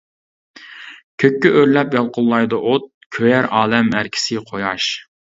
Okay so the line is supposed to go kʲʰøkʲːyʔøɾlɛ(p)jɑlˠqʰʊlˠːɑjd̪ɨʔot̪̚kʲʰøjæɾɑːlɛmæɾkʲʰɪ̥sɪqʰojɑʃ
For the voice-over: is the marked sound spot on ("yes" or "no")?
yes